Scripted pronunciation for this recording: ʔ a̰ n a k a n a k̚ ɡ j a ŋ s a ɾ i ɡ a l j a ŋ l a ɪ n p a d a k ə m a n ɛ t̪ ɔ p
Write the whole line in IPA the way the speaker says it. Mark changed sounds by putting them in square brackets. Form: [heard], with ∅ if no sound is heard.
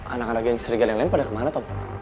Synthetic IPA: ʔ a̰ n a k a n a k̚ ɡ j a ŋ s [ə] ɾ i ɡ a l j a ŋ l a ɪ n p a d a k ə m a n [a] t̪ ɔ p